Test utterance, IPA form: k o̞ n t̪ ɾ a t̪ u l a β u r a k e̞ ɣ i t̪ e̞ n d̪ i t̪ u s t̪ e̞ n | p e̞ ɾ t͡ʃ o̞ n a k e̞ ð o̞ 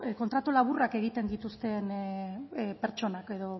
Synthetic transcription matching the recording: k o̞ n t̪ ɾ a t̪ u l a β u r a k e̞ ɣ i t̪ e̞ n d̪ i t̪ u s t̪ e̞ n | p e̞ ɾ t͡ʃ o̞ n a k e̞ ð o̞